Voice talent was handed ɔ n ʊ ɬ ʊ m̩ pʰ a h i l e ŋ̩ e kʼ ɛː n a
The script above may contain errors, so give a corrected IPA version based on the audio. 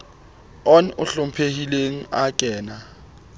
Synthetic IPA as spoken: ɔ n ʊ ɬ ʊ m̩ pʰ e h i l e ŋ̩ a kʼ ɛː n a